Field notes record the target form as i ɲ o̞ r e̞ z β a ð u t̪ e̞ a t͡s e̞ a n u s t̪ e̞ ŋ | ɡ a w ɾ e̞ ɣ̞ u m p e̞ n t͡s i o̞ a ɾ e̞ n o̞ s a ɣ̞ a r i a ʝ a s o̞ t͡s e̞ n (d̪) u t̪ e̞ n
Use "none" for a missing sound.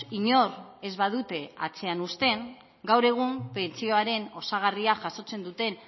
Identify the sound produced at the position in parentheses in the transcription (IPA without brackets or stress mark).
d̪